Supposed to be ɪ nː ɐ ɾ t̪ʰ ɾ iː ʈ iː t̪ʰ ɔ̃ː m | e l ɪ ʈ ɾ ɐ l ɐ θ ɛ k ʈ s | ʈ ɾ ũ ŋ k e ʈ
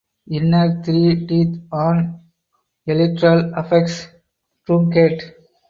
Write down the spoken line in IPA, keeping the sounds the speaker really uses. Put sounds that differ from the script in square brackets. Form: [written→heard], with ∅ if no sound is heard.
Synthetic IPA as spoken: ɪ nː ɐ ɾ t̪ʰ ɾ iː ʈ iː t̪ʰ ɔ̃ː [m→n] | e l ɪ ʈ ɾ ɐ l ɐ [θ→f] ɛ k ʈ s | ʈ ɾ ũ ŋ k e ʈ